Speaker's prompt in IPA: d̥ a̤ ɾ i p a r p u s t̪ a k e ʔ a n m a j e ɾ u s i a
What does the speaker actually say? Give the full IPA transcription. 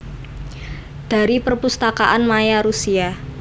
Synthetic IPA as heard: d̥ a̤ ɾ i p ə r p u s t̪ a k a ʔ a n m a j a ɾ u s i a